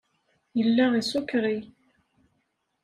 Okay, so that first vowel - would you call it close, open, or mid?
mid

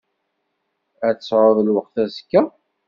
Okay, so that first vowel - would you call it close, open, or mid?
open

